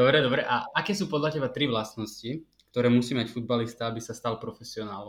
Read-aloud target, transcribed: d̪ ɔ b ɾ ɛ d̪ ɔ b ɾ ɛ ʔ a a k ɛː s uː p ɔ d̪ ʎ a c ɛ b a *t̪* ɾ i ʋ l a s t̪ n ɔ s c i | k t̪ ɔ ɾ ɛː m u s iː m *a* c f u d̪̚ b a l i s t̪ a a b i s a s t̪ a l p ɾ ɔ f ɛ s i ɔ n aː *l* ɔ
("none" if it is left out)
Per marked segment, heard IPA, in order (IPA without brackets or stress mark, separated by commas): t̪, a, l